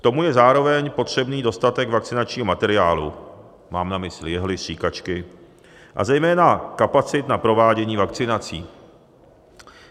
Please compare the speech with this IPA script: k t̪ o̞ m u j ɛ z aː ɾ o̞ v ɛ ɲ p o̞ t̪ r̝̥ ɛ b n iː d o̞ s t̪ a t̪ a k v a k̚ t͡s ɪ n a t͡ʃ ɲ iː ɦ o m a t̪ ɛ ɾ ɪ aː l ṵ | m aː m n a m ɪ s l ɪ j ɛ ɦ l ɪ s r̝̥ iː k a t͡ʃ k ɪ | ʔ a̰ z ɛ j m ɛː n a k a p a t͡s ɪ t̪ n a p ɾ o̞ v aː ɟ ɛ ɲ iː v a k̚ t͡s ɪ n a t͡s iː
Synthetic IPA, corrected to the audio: k t̪ o̞ m u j ɛ z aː ɾ o̞ v ɛ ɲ p o̞ t̪ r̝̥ ɛ b n iː d o̞ s t̪ a t̪ ɛ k v a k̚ t͡s ɪ n a t͡ʃ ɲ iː ɦ o m a t̪ ɛ ɾ ɪ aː l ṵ | m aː m n a m ɪ s l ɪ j ɛ ɦ l ɪ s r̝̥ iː k a t͡ʃ k ɪ | ʔ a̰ z ɛ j m ɛː n a k a p a t͡s ɪ t̪ n a p ɾ o̞ v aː ɟ ɛ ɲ iː v a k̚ t͡s ɪ n a t͡s iː